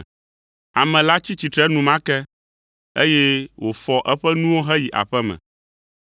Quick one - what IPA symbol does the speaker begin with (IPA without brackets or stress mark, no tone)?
a